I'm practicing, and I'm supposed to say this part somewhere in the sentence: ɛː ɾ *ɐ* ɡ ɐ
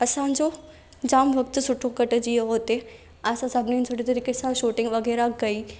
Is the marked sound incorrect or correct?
incorrect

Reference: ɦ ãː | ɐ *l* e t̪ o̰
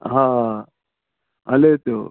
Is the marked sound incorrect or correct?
correct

